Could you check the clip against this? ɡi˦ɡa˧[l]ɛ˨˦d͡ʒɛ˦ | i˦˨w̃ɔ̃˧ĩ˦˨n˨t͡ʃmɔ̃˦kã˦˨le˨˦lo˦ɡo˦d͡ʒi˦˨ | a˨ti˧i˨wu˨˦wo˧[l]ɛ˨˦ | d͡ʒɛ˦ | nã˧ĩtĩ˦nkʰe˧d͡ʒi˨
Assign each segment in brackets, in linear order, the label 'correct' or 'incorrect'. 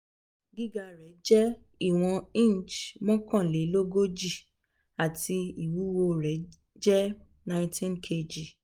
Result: incorrect, incorrect

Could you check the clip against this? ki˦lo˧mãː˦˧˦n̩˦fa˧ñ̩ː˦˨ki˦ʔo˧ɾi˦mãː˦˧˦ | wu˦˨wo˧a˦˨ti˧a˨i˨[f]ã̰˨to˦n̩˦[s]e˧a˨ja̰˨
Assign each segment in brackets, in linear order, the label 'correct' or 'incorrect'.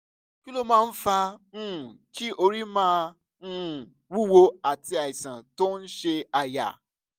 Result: incorrect, incorrect

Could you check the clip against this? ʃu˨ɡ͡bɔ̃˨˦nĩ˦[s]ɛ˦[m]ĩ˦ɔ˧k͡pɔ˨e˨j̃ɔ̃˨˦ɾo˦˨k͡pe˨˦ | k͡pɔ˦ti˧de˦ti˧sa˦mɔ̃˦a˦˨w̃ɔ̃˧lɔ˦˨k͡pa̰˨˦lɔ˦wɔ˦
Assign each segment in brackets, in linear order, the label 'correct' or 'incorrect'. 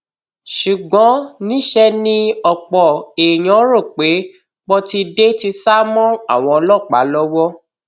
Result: incorrect, incorrect

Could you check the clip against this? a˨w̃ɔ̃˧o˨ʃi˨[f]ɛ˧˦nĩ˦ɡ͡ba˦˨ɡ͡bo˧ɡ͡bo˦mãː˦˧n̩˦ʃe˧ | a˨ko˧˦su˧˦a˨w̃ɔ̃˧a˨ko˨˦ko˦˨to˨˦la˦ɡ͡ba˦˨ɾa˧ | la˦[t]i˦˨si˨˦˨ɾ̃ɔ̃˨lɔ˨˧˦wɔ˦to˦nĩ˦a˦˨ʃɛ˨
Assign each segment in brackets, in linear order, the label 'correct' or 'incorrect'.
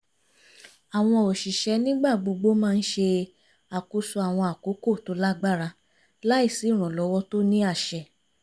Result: incorrect, incorrect

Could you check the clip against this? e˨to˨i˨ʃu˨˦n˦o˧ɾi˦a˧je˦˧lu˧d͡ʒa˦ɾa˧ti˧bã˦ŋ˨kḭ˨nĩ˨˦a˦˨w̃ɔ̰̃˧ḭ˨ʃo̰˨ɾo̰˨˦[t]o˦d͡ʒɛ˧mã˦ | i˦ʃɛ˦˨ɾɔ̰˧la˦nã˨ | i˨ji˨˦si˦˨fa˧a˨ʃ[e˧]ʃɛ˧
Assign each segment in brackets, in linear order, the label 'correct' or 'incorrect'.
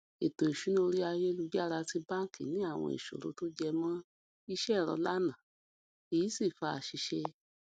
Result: correct, incorrect

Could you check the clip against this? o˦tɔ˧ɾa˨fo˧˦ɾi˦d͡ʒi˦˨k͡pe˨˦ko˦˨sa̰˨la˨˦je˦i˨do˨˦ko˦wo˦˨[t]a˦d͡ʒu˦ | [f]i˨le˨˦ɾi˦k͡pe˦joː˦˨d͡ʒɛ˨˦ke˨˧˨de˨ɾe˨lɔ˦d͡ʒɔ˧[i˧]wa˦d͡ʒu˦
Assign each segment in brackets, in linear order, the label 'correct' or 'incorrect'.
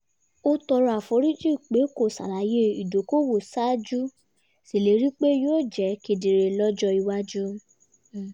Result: incorrect, incorrect, correct

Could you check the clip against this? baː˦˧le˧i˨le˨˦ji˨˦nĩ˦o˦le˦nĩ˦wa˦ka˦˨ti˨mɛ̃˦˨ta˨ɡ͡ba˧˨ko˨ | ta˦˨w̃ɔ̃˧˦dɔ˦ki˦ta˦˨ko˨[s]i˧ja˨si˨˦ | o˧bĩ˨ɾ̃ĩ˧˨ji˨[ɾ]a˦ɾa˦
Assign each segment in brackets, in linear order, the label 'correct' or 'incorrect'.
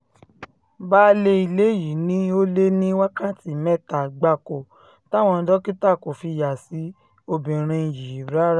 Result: incorrect, correct

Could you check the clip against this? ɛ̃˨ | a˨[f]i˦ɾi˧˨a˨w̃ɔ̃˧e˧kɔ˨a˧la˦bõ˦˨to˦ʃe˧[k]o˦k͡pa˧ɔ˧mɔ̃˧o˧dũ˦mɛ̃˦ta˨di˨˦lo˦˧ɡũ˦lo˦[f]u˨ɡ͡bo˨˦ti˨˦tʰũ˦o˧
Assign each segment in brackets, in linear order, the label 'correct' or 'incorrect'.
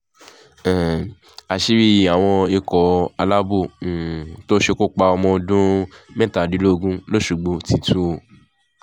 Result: incorrect, correct, incorrect

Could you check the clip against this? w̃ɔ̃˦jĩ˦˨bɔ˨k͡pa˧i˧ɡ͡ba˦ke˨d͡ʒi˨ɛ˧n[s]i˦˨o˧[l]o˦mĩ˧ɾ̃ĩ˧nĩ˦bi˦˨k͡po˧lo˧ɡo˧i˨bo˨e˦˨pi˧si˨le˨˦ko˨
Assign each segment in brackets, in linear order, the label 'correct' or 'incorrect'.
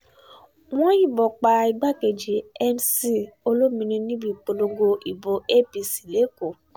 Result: correct, correct

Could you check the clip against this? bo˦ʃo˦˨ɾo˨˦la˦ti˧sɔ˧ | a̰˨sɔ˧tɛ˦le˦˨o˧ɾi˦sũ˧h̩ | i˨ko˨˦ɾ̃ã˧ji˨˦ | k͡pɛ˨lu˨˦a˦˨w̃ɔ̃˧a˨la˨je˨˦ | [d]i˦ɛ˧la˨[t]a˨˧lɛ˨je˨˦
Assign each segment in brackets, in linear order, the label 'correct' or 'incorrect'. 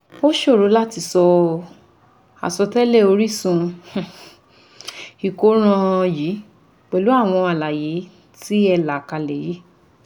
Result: incorrect, incorrect

